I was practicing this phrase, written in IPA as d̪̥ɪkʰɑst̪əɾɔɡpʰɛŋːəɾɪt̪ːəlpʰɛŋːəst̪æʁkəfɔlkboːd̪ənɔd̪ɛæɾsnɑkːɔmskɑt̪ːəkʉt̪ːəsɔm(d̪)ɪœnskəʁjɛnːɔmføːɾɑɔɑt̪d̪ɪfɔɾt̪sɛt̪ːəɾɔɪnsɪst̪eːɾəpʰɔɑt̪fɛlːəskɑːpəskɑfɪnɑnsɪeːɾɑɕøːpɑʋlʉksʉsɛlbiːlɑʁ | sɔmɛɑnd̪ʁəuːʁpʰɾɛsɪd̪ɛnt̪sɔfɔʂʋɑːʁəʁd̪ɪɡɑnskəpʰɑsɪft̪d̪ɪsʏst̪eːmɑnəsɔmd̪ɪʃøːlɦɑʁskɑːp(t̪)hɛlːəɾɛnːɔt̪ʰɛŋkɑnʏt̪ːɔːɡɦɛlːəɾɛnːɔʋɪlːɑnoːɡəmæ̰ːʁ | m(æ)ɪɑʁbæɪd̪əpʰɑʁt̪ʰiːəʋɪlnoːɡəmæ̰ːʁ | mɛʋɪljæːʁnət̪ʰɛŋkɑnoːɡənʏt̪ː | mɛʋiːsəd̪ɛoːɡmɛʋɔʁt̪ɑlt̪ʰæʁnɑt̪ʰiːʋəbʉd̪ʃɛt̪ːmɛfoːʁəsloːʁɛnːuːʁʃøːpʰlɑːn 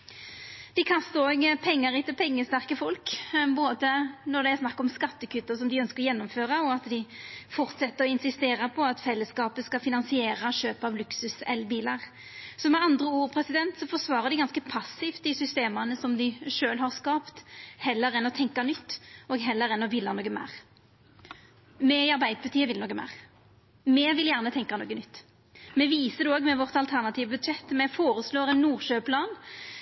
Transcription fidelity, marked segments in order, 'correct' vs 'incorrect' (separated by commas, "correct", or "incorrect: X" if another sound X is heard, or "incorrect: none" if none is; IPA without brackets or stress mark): correct, correct, incorrect: ɛ